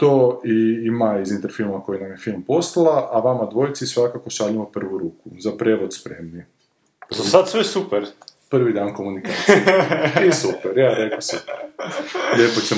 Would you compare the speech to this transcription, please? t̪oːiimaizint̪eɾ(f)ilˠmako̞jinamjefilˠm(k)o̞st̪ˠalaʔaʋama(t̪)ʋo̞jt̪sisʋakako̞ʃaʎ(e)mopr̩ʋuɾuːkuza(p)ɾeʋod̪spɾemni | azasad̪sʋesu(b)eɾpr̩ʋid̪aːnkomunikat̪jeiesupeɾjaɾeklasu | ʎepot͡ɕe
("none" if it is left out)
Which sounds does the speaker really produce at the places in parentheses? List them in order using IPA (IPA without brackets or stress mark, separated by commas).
f, p, d̪, i, p, p